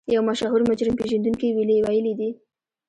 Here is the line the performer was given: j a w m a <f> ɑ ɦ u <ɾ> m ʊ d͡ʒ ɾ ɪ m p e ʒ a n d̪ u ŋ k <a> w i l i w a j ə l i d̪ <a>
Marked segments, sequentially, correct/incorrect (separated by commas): incorrect, correct, incorrect, incorrect